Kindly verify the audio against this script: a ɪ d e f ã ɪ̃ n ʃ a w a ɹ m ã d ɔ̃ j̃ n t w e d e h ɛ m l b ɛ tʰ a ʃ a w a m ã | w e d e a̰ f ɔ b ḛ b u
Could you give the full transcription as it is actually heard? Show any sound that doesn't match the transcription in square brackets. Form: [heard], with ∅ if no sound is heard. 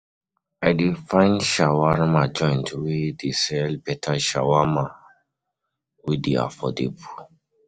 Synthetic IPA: a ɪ d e f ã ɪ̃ n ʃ a w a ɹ m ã [d͡ʒ] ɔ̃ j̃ n t w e d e [s] ɛ [∅] l b ɛ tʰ a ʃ a w a m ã | w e d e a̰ f ɔ [d] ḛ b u